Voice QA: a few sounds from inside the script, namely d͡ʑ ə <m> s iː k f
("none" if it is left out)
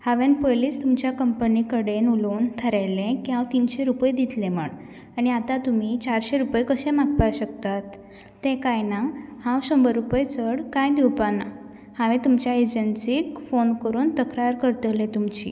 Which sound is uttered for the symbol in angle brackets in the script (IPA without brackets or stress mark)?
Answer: n